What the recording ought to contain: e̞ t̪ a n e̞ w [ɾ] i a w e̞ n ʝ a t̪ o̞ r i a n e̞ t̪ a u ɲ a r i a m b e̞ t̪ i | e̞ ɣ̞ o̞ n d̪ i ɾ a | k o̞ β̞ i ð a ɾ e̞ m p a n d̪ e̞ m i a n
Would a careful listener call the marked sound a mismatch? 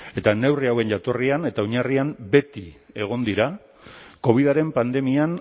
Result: yes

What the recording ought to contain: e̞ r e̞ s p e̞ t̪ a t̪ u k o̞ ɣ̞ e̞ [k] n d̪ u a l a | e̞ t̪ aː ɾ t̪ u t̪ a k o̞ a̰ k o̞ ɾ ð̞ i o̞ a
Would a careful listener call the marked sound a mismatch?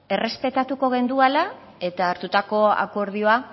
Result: yes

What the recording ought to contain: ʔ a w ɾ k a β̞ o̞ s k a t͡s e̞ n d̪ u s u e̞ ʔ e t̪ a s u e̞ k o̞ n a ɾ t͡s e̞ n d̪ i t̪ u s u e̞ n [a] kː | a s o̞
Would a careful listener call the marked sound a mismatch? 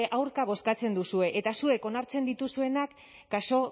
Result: no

